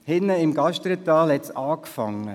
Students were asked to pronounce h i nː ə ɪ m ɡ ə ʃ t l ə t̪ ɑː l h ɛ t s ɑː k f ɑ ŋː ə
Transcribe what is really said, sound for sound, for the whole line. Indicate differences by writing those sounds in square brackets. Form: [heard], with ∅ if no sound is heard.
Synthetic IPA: h [ɪ] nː ə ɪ m ɡ [ɑ] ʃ t [ɾ] ə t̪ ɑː l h ɛ t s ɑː k f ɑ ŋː ə